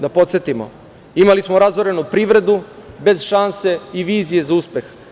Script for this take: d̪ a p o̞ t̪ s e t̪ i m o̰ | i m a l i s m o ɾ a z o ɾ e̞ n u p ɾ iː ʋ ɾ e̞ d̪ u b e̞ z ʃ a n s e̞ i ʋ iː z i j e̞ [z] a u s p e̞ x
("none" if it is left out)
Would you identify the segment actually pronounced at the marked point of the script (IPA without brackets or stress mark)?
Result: z